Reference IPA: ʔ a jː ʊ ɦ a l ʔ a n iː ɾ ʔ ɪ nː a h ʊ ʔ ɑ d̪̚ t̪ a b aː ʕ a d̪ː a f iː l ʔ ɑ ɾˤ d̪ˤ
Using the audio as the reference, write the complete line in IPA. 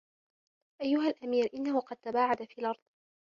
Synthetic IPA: ʔ a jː ʊ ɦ a l ʔ a m iː ɾ ʔ ɪ nː a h ʊ q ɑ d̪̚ t̪ a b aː ʕ a d̪ a f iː l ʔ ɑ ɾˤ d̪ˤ